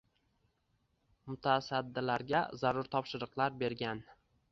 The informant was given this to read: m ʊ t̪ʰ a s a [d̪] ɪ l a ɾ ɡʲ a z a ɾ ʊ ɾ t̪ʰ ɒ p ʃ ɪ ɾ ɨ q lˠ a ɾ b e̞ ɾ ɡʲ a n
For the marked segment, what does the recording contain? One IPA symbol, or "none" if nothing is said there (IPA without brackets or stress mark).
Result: d̪ː